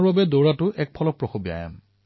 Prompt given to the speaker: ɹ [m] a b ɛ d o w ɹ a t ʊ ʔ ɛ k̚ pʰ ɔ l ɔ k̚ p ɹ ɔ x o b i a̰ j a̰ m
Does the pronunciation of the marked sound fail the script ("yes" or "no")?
yes